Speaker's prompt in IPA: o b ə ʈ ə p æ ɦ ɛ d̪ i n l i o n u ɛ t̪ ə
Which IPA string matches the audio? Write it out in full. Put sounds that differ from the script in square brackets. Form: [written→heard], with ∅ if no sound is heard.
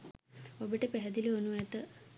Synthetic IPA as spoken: o b ə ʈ ə p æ ɦ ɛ d̪ i [n→∅] l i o n u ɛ t̪ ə